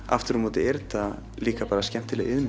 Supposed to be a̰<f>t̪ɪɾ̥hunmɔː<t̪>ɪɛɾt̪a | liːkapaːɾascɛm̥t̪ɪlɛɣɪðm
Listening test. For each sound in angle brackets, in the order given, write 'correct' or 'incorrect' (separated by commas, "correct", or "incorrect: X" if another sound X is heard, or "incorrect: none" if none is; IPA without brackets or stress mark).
correct, correct